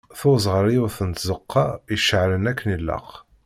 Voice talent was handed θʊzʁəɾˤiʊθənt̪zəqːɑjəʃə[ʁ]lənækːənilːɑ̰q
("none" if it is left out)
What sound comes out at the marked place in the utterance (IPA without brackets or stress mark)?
ʕ